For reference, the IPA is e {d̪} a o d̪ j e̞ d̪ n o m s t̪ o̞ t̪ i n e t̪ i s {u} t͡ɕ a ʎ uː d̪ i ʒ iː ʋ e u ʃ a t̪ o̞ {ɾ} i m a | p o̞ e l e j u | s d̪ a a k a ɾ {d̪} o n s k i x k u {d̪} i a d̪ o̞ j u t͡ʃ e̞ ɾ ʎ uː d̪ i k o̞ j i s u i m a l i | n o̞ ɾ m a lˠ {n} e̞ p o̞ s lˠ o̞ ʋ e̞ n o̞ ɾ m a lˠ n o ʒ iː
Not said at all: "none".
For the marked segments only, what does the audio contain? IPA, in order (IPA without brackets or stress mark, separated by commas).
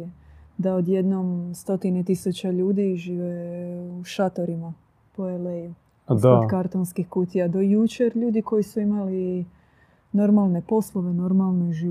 d̪, u, ɾ, t̪, t̪, n